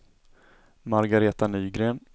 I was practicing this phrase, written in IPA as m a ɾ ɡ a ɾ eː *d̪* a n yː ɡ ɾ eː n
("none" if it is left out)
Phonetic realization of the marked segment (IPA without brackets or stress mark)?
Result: t̪